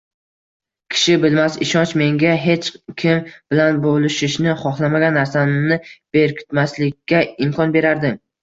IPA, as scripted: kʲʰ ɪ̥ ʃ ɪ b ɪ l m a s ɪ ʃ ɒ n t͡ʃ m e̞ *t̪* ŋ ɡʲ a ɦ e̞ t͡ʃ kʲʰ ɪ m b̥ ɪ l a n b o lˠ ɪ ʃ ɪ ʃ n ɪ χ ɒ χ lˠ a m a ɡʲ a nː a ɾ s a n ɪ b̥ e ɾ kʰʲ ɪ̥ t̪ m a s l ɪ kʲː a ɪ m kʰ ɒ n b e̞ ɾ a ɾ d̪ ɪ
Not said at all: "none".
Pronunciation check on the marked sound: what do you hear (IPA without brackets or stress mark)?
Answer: none